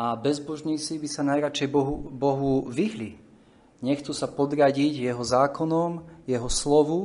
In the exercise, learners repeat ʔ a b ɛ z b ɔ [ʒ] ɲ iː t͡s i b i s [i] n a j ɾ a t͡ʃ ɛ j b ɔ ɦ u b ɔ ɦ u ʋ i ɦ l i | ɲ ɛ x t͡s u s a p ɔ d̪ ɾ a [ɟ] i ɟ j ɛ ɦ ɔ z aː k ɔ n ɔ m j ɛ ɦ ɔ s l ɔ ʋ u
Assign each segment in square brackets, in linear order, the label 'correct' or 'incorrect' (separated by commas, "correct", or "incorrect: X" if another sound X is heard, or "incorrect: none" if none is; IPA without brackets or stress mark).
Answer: correct, incorrect: a, correct